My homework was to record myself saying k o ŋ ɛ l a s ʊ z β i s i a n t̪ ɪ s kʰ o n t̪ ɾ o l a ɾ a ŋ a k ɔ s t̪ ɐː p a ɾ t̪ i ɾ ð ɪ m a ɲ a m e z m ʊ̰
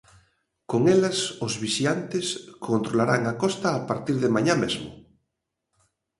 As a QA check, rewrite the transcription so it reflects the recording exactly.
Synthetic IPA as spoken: k o ŋ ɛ l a s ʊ z β i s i a n t̪ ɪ s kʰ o n t̪ ɾ o l a ɾ a ŋ a k ɔ s t̪ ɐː p a ɾ t̪ i ɾ ð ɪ m a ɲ a m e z m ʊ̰